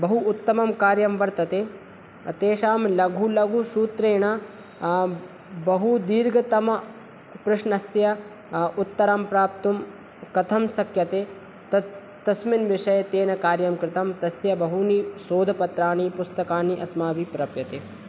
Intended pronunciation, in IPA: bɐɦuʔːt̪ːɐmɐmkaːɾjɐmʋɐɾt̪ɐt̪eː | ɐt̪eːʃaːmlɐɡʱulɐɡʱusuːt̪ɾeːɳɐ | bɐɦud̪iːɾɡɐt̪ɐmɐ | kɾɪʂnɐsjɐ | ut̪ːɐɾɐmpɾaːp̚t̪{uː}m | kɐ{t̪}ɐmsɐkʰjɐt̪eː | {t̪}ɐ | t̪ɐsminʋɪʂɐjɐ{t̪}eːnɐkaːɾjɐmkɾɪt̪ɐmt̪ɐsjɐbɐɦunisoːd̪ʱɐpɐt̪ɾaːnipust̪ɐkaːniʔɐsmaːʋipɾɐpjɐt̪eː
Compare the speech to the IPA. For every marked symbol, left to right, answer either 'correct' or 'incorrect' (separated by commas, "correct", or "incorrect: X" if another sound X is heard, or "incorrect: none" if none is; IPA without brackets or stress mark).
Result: incorrect: u, incorrect: t̪ʰ, correct, correct